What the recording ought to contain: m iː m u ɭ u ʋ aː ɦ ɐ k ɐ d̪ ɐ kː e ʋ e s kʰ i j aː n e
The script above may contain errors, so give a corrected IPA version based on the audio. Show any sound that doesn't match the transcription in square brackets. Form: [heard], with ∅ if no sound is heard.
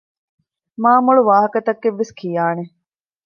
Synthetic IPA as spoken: m [aː] m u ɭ u ʋ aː ɦ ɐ k ɐ [t̪] ɐ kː e [ʋː] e s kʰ i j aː n e